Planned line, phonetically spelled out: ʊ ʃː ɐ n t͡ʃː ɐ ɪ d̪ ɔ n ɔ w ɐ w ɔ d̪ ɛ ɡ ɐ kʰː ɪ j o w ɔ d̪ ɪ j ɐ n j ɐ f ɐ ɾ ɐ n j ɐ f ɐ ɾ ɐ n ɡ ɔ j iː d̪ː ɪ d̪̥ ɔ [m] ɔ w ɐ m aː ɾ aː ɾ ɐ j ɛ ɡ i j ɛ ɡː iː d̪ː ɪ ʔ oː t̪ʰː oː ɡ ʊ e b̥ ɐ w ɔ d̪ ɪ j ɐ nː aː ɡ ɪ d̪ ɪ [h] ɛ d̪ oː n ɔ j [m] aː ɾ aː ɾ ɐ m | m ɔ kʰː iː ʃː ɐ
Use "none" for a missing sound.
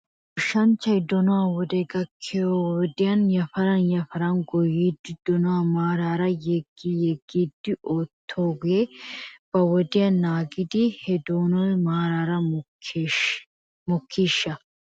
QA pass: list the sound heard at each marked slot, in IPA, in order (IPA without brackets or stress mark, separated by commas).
n, h, m